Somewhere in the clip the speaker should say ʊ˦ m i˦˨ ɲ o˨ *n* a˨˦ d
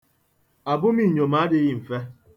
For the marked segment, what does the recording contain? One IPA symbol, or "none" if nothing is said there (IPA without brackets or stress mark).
m